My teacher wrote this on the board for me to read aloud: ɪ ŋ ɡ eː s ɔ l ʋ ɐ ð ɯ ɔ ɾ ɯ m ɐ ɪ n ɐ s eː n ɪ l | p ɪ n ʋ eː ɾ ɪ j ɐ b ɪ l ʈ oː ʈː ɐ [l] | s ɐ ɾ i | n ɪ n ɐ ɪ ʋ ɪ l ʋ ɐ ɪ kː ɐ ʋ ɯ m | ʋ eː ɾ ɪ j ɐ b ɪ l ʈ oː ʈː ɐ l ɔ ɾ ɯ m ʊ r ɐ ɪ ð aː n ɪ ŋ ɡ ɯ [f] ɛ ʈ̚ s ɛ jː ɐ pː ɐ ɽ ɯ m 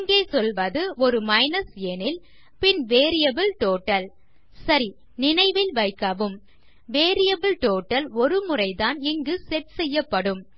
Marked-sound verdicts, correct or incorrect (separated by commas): correct, incorrect